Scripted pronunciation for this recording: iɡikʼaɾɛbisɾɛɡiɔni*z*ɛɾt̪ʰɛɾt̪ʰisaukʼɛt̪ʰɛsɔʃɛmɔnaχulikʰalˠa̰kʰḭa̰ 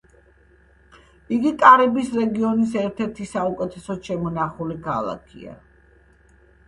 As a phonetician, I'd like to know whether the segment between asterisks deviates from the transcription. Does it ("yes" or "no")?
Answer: yes